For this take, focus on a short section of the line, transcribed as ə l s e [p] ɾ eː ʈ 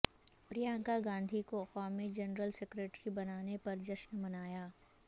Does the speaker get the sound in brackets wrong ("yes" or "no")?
yes